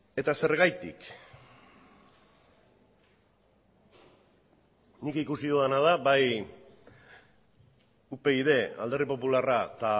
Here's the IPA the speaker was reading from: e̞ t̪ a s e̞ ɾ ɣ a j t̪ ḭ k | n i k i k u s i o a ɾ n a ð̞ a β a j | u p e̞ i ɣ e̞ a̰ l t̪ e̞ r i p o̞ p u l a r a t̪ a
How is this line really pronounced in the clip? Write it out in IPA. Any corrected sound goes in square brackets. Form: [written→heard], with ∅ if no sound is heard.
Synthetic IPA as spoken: e̞ t̪ a s e̞ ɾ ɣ a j t̪ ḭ k | n i k i k u s i o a [ɾ→∅] n a ð̞ a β a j | u p e̞ i [ɣ→ð] e̞ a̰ l [t̪→d̪] e̞ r i p o̞ p u l a r a t̪ a